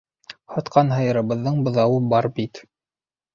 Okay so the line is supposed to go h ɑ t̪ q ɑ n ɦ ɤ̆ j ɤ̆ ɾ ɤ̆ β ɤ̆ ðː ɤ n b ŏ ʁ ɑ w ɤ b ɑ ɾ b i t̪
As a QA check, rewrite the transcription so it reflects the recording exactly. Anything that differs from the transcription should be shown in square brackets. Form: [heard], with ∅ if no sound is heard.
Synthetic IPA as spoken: h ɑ t̪ q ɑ n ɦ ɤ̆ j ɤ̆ ɾ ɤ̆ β ɤ̆ ðː ɤ [ɴ] b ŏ [ð] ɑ w ɤ b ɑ ɾ b i t̪